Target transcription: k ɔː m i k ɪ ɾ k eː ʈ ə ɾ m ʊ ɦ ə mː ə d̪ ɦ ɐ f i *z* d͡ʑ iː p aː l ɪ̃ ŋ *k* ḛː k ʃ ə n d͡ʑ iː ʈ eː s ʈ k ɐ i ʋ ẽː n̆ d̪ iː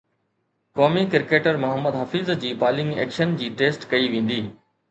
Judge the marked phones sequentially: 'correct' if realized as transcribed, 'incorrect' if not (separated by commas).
correct, incorrect